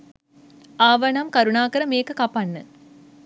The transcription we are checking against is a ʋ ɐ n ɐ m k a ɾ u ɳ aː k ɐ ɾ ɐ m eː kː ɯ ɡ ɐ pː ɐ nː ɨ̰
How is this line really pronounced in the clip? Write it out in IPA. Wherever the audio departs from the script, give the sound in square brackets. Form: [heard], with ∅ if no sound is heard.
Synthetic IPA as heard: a ʋ ɐ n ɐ m k [ɐ] ɾ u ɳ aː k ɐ ɾ ɐ m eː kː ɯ [k] ɐ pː ɐ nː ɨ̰

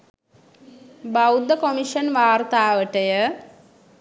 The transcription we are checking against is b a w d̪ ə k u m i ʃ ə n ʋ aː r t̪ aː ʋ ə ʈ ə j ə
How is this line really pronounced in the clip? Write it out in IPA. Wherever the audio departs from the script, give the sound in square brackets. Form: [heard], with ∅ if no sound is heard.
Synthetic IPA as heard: b a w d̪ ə k [o] m i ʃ ə n ʋ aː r t̪ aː ʋ ə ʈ ə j ə

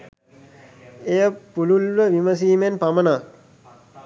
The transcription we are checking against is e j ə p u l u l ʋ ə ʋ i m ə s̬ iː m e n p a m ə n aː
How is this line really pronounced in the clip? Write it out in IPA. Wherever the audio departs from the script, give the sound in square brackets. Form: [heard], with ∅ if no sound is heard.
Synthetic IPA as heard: e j ə p u l u l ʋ ə ʋ i m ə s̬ iː m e n p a m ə n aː

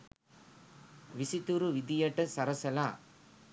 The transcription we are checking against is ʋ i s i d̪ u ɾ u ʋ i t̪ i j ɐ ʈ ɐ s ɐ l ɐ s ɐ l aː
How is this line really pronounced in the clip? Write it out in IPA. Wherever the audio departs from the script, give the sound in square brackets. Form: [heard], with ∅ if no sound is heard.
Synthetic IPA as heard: ʋ i s i [t̪] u ɾ u ʋ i [d̪] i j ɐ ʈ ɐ s ɐ [ɾ] ɐ s ɐ l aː

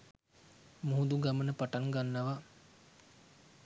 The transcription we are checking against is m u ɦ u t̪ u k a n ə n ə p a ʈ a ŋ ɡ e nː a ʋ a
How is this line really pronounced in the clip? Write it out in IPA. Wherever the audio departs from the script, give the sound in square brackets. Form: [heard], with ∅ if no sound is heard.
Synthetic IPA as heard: m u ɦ u [d̪] u [ɡ] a [m] ə n ə p a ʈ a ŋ ɡ [a] nː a ʋ a

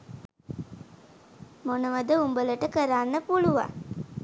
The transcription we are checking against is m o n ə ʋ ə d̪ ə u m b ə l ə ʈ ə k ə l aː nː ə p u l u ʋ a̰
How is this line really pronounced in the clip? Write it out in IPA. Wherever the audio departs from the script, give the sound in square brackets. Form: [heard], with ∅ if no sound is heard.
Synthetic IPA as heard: m o n ə ʋ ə d̪ ə u m b ə l ə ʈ ə k ə [ɾ] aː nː ə p u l u ʋ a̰

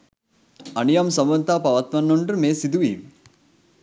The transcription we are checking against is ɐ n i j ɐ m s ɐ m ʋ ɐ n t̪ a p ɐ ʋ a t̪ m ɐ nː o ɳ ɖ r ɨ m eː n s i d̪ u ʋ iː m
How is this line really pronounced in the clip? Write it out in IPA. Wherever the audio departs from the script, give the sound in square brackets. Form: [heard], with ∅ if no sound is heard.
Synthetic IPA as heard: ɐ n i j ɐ m s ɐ m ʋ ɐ n t̪ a p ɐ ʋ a t̪ m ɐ nː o ɳ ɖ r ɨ m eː [∅] s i d̪ u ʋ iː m

